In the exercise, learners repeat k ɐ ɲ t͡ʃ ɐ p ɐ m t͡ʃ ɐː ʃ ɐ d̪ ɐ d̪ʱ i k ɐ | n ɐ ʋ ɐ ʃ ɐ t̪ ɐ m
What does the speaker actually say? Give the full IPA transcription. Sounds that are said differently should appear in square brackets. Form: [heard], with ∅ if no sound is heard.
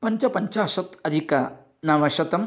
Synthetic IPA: [p] ɐ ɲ t͡ʃ ɐ p ɐ [ɲ] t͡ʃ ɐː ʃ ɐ [t̪] ɐ d̪ʱ i k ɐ | n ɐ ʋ ɐ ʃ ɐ t̪ ɐ m